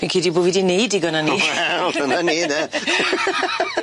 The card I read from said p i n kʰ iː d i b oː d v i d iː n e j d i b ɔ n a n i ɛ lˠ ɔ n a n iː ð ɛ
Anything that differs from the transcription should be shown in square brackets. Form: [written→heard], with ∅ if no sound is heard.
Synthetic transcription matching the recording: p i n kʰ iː d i b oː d v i d [iː→i] n e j d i [b→ɡ] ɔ n a n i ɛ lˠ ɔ n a n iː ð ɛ